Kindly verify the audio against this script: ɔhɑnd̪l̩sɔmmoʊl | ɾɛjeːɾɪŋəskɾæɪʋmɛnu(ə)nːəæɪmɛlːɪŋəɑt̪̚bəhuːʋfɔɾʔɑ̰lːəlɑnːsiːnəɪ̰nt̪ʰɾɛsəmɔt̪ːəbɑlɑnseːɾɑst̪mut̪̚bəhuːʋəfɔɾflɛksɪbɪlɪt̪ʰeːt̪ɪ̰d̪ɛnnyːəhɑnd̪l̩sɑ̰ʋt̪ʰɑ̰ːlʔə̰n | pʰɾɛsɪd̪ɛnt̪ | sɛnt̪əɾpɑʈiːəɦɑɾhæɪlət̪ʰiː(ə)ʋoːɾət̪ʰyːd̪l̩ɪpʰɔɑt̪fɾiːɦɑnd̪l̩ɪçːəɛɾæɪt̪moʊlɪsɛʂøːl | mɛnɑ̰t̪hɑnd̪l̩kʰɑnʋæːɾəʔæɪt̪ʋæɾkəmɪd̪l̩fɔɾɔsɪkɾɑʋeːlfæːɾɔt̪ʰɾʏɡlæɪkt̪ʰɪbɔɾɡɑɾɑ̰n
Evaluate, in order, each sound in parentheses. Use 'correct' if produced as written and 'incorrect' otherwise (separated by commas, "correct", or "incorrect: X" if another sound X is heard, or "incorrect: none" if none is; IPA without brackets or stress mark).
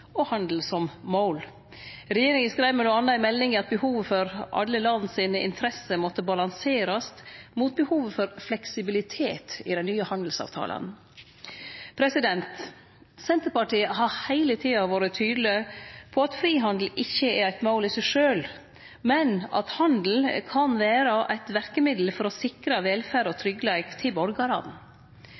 incorrect: ɑ, incorrect: ɑ